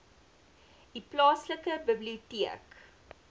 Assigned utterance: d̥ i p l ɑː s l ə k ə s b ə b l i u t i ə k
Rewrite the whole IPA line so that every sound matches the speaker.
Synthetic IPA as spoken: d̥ i p l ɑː s l ə k ə b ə b l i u t i ə k